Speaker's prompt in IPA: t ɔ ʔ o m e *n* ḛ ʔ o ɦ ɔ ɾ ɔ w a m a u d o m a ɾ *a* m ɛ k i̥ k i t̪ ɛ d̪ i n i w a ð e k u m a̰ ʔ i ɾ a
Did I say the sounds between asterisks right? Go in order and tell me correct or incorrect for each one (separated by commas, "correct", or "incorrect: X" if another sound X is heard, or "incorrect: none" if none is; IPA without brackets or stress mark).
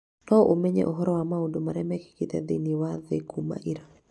incorrect: ɲ, incorrect: ɛ